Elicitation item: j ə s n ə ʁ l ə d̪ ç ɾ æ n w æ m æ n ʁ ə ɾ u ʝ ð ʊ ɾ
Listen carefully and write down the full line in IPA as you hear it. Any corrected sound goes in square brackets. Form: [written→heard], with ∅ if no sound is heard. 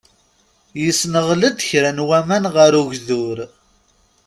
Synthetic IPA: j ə s n ə ʁ l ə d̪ ç ɾ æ n w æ m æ n ʁ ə ɾ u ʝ ð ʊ ɾ